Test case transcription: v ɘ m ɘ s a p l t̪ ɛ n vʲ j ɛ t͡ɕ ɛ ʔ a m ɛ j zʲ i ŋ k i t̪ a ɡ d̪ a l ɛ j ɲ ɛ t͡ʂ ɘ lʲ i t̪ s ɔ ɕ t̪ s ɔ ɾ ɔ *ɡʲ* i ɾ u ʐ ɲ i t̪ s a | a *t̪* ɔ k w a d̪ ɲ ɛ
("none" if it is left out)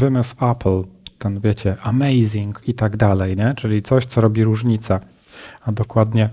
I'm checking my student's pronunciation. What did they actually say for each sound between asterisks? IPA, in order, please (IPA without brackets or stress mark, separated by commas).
bʲ, d̪